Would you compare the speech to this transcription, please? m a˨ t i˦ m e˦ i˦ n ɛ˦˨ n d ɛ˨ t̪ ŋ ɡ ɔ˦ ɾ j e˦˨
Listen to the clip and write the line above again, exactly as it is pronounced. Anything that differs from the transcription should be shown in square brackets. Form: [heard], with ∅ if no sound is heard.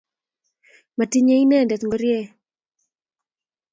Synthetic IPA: m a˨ t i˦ [ɲ] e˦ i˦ n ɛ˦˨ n d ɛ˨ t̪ ŋ ɡ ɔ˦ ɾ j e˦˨